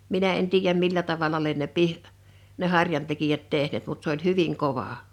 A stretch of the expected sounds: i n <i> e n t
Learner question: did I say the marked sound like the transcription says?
no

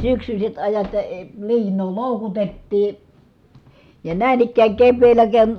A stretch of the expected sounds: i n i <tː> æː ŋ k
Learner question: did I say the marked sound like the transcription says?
no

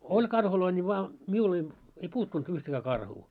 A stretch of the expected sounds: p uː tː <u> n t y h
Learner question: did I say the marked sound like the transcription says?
yes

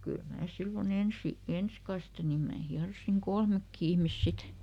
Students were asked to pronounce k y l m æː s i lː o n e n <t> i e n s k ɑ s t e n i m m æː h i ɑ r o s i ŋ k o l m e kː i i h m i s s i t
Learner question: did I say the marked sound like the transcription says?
no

